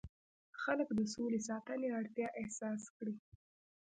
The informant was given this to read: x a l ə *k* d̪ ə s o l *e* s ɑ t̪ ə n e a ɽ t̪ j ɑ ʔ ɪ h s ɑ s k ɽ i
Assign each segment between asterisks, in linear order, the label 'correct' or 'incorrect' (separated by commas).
correct, correct